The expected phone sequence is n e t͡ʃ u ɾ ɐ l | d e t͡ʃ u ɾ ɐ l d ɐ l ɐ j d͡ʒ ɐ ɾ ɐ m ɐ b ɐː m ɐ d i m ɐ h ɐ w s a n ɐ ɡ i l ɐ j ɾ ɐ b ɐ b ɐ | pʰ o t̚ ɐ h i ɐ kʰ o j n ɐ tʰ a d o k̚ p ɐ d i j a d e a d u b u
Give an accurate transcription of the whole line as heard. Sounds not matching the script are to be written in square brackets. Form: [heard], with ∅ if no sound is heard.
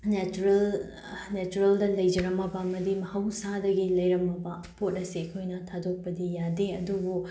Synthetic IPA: n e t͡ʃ u ɾ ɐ l | [n] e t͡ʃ u ɾ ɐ l d ɐ l ɐ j d͡ʒ ɐ ɾ ɐ m ɐ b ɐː m ɐ d i m ɐ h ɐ w s a [d] ɐ ɡ i l ɐ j ɾ ɐ [m] ɐ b ɐ | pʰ o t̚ ɐ [s] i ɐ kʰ o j n ɐ tʰ a d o k̚ p ɐ d i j a d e [ɐ] d u b u